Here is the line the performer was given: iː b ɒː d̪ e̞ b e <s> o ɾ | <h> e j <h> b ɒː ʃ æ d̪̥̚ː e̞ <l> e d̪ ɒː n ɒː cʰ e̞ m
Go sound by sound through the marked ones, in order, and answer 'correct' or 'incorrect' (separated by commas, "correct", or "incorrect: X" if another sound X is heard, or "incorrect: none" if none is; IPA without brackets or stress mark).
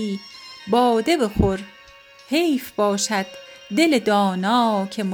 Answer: incorrect: x, correct, incorrect: f, correct